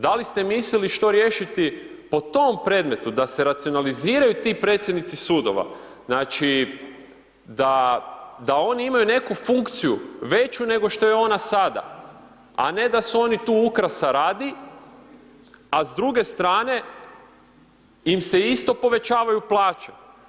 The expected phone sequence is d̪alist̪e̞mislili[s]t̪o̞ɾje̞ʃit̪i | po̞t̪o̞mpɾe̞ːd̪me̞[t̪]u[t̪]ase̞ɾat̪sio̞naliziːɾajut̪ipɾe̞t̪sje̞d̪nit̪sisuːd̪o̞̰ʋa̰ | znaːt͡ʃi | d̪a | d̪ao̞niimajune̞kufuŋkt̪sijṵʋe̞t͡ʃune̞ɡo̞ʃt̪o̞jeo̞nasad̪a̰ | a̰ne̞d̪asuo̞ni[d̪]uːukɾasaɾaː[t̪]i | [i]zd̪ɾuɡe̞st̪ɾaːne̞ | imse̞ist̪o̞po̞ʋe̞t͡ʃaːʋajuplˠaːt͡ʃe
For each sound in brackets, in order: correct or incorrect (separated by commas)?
incorrect, correct, incorrect, incorrect, incorrect, incorrect